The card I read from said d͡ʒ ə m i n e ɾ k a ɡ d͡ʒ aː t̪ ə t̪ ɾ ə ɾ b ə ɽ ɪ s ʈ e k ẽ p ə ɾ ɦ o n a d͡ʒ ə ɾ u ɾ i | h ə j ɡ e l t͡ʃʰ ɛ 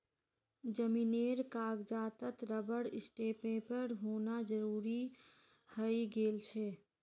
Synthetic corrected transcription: d͡ʒ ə m i n e ɾ k a ɡ d͡ʒ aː t̪ ə t̪ ɾ ə b ə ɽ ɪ s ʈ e p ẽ p ə ɾ ɦ o n a d͡ʒ ə ɾ u ɾ i | h ə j ɡ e l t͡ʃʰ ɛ